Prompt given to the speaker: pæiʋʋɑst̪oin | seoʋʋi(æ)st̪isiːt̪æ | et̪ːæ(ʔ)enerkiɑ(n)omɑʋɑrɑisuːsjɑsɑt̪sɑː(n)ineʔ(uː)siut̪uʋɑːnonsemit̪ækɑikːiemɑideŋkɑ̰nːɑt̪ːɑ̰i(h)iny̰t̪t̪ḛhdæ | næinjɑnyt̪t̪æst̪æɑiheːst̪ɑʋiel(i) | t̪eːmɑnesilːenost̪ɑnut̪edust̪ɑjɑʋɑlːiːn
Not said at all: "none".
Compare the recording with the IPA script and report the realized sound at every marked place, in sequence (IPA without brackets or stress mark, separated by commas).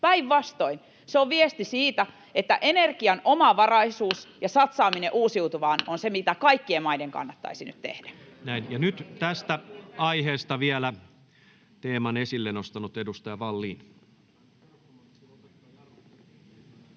e, ʔ, n, m, uː, s, æ